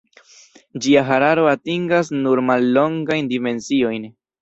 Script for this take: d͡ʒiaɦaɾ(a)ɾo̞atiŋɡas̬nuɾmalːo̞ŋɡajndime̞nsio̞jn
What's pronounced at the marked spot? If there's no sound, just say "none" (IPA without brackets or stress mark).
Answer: a